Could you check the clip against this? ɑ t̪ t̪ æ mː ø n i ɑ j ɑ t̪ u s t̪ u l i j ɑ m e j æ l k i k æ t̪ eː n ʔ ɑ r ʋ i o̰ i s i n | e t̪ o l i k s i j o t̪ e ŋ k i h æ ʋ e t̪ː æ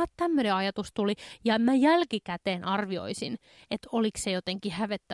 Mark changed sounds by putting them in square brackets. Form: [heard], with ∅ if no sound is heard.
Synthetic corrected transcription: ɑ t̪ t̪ æ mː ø n [e] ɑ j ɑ t̪ u s t̪ u l i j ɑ m [æ] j æ l k i k æ t̪ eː n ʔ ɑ r ʋ i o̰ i s i n | e t̪ o l i k s [e] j o t̪ e ŋ k i h æ ʋ e t̪ː æ